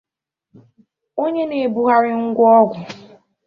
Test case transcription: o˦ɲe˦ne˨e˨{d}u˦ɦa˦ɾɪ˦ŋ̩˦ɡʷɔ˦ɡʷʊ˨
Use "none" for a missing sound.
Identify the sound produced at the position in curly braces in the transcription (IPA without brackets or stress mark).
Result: b